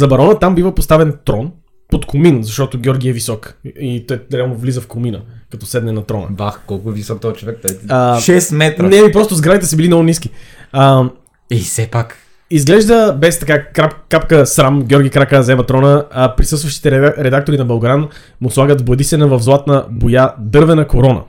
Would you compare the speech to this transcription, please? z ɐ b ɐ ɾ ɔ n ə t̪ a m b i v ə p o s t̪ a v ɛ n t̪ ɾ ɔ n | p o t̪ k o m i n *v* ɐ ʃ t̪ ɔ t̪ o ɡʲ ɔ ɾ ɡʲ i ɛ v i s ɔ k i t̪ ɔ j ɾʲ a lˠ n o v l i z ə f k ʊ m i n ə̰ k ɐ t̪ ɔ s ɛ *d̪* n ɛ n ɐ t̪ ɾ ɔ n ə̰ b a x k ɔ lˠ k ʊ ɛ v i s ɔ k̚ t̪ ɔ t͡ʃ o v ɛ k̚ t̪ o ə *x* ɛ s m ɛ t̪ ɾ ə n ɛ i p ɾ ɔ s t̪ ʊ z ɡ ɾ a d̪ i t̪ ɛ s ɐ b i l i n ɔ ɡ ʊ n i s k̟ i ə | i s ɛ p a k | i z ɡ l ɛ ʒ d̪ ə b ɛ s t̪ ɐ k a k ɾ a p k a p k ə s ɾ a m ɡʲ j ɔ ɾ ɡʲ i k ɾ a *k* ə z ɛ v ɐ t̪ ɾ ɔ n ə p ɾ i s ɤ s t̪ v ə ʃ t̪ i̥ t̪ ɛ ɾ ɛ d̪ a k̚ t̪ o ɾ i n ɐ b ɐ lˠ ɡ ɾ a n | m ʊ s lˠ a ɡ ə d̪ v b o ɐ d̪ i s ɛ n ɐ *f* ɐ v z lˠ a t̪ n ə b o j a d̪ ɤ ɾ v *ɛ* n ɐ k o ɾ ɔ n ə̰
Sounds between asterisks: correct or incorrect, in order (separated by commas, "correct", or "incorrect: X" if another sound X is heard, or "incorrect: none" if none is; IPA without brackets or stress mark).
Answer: incorrect: z, correct, incorrect: ʃ, correct, incorrect: v, correct